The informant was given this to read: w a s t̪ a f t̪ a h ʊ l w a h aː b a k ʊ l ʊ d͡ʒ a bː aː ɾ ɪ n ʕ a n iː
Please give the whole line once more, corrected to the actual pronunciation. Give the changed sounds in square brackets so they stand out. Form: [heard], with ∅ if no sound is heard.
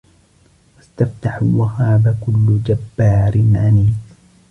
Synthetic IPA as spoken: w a s t̪ a f t̪ a [ħ] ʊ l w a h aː b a k ʊ [lː] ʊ d͡ʒ a bː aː ɾ ɪ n ʕ a n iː